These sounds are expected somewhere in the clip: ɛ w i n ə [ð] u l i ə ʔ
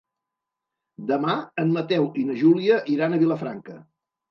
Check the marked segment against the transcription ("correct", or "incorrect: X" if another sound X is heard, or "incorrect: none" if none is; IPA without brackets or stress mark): incorrect: ʒ